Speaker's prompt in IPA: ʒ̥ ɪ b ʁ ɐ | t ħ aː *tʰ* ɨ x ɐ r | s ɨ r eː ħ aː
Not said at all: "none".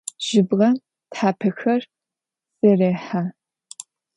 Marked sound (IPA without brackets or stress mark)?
pʰ